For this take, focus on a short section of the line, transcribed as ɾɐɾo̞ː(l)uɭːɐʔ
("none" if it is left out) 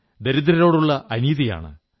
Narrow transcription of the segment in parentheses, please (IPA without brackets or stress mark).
ɽ